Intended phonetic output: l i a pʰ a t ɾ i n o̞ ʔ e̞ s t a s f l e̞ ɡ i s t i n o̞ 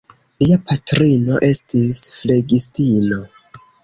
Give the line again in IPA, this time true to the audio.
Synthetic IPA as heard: l i a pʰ a t ɾ i n o̞ ʔ e̞ s t i s f l e̞ ɡ i s t i n o̞

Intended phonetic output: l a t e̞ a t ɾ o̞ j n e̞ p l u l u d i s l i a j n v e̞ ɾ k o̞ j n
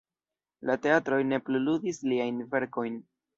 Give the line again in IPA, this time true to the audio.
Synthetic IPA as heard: l a t e̞ a t ɾ o̞ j n e̞ p l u l u d i s l i a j n v e̞ ɾ k o̞ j n

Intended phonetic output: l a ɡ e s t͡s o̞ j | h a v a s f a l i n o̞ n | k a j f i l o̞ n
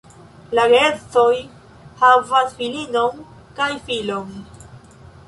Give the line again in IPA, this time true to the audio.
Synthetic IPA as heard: l a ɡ e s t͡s o̞ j | h a v a s f i l i n o̞ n | k a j f i l o̞ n

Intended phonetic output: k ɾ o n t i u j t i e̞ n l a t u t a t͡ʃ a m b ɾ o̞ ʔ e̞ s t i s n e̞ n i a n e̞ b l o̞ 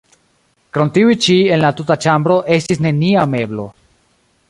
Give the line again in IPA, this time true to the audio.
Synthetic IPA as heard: k ɾ o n t i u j t͡ʃ i e̞ n l a t u t a t͡ʃ a m b ɾ o̞ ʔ e̞ s t i s n e̞ n i a m e̞ b l o̞

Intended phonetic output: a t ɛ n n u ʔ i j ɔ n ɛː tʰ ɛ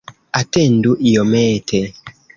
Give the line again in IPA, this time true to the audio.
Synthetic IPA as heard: a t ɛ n d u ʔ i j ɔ m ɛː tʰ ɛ

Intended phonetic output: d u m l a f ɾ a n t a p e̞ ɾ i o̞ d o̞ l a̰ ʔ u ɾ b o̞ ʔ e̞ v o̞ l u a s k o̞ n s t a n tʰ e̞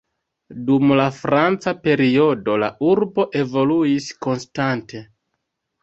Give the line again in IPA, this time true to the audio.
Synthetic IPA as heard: d u m l a f ɾ a n t͡s a p e̞ ɾ i o̞ d o̞ l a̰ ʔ u ɾ b o̞ ʔ e̞ v o̞ l u i s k o̞ n s t a n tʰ e̞

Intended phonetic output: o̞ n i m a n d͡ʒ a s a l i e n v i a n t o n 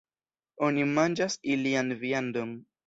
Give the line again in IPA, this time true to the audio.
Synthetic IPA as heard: o̞ n i m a n d͡ʒ a s i l i a n v i a n d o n

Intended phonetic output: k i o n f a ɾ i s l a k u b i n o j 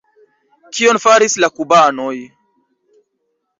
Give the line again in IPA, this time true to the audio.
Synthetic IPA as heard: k i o n f a ɾ i s l a k u b a n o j

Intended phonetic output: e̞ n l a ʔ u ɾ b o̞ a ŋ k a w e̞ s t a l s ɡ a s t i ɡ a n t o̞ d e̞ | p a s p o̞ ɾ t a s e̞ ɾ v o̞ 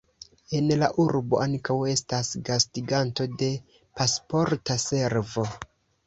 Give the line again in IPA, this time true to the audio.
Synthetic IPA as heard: e̞ n l a ʔ u ɾ b o̞ a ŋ k a w e̞ s t a s ɡ a s t i ɡ a n t o̞ d e̞ | p a s p o̞ ɾ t a s e̞ ɾ v o̞

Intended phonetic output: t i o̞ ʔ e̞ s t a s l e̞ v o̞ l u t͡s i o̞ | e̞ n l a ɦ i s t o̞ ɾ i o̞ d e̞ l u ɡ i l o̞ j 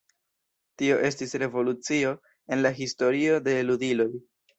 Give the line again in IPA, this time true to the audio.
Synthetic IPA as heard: t i o̞ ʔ e̞ s t i s ɾ e̞ v o̞ l u t͡s i o̞ | e̞ n l a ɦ i s t o̞ ɾ i o̞ d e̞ l u d i l o̞ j

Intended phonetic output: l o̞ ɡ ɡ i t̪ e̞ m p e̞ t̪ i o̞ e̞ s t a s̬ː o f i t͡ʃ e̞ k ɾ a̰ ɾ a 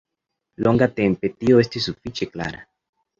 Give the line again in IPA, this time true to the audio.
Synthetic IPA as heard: l o̞ ŋ ɡ a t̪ e̞ m p e̞ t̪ i o̞ e̞ s t i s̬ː u f i t͡ʃ e̞ k l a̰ ɾ a

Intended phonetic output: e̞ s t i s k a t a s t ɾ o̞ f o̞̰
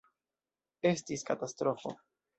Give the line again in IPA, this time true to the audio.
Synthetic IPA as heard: e̞ s t i s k a t a s t ɾ o̞ f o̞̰

